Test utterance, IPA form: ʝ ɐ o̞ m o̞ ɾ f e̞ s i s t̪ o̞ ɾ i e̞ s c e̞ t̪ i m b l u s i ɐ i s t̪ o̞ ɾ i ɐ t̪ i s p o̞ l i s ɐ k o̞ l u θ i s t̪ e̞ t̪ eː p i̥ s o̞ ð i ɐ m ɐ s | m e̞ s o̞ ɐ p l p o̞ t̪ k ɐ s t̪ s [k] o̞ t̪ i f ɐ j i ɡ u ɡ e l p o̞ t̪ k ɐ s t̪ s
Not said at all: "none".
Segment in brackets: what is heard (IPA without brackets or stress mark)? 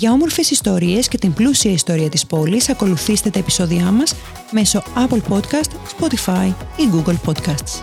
p